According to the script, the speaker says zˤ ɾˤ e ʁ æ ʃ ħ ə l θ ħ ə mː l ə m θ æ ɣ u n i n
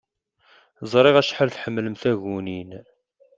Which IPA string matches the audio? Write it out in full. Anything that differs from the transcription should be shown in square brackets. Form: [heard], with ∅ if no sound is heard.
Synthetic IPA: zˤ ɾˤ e ʁ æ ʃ ħ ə l θ ħ ə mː l ə m θ æ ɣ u n i n